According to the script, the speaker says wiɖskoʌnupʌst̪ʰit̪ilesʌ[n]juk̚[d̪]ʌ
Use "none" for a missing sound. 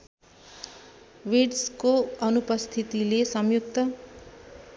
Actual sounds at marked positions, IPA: m, t̪

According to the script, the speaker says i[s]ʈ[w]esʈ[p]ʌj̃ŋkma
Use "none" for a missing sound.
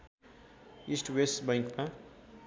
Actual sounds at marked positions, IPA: s, w, b

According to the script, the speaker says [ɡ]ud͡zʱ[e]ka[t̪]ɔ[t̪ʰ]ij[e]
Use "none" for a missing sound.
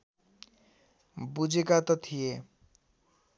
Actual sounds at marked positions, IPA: b, e, t̪, t̪ʰ, e

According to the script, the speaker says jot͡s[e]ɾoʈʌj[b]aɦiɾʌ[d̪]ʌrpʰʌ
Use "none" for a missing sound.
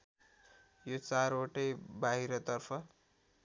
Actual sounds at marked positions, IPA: a, b, t̪

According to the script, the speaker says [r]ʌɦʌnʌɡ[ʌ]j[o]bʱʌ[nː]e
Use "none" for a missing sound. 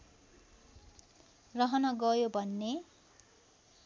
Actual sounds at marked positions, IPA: r, ʌ, o, nː

